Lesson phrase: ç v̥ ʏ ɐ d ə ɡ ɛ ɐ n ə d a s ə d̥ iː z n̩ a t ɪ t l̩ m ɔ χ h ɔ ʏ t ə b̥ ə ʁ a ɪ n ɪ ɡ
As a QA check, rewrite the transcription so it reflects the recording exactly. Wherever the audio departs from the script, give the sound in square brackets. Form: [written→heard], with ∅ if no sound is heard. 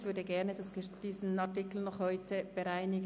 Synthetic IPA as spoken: ç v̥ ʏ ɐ d ə ɡ ɛ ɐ n ə d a s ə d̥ iː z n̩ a t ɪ [t→k] l̩ [m→n] ɔ χ h ɔ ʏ t ə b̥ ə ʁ a ɪ n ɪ ɡ